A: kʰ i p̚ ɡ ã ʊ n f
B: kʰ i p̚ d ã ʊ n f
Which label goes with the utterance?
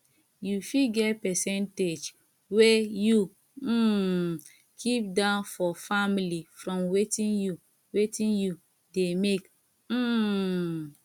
B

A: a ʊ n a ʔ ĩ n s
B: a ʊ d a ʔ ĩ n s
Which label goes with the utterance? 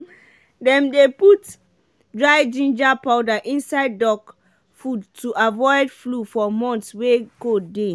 B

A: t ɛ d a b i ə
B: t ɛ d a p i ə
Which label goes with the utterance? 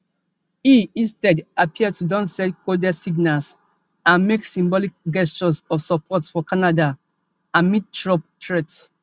B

